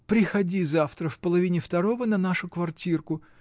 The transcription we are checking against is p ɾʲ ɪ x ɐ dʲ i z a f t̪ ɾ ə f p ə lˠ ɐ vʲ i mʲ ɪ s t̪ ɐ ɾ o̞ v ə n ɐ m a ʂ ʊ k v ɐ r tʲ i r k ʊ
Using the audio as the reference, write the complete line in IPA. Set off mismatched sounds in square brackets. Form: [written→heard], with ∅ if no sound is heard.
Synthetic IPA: p ɾʲ ɪ x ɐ dʲ i z a f t̪ ɾ ə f p ə lˠ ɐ vʲ i [mʲ→nʲ] ɪ [s→f] t̪ ɐ ɾ o̞ v ə n ɐ [m→n] a ʂ ʊ k v ɐ r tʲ i r k ʊ